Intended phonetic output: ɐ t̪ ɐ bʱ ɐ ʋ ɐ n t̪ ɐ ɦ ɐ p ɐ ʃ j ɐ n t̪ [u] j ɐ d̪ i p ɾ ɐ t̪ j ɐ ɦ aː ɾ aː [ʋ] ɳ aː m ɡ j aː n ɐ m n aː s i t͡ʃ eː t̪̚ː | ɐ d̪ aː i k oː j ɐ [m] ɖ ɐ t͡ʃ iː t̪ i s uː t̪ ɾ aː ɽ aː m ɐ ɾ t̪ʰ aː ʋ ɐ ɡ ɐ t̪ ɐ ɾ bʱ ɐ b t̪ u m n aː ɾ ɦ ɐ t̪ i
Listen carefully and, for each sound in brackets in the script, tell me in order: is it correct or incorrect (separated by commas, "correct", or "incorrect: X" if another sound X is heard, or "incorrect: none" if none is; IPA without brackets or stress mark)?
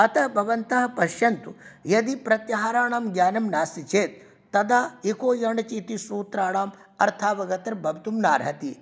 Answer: correct, incorrect: none, incorrect: ɳ